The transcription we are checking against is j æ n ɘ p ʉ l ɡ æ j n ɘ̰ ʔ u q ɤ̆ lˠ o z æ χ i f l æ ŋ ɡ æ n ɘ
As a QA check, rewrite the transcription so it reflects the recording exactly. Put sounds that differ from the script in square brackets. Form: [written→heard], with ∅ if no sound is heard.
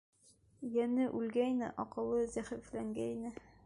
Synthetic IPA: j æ n ɘ [p→ʔ] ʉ l ɡ æ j n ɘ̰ ʔ [u→ɒ] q ɤ̆ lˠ [o→ɤ] z æ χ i f l æ ŋ ɡ æ n ɘ